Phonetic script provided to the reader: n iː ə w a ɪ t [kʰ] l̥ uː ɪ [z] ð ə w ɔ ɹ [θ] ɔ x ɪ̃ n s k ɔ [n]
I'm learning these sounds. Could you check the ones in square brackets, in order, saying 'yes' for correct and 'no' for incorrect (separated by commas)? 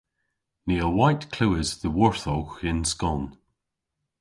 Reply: yes, yes, yes, yes